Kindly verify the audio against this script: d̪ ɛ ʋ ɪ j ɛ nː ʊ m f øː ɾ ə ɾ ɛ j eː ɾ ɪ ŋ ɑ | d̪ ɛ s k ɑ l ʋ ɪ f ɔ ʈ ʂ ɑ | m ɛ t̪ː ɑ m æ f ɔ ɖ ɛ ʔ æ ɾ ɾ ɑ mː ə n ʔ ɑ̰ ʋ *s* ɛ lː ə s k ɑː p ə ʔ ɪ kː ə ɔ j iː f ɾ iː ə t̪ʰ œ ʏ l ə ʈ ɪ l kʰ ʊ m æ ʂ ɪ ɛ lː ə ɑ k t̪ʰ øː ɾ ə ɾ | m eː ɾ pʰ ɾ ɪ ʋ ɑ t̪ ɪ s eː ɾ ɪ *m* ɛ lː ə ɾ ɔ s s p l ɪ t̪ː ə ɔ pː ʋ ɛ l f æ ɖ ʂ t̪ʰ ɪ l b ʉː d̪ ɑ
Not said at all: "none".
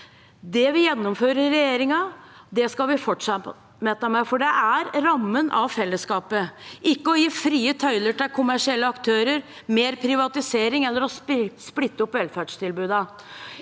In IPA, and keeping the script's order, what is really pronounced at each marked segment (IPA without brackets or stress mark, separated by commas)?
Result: f, ŋ